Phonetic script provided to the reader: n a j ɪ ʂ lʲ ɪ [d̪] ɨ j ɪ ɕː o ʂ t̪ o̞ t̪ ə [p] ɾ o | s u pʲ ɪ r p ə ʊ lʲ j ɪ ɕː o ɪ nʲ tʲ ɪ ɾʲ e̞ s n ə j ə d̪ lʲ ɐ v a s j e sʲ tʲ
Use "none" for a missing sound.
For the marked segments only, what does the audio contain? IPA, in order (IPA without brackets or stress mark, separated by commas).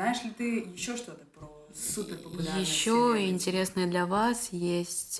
t̪, p